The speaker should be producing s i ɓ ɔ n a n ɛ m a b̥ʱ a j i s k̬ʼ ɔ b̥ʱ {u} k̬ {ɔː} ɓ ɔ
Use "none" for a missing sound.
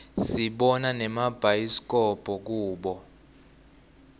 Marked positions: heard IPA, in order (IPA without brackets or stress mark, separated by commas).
ɔ, uː